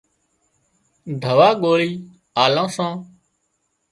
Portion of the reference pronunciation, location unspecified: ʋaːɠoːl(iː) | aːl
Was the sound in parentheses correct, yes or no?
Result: yes